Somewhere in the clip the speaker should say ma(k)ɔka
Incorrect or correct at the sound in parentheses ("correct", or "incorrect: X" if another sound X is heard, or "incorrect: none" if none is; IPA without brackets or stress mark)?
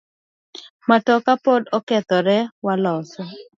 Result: incorrect: t